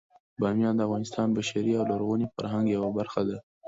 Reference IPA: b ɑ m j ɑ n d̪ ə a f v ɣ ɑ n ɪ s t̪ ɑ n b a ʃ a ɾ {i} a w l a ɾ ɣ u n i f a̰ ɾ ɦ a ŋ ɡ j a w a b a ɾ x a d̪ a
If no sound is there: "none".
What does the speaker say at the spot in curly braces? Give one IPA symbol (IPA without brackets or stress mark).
i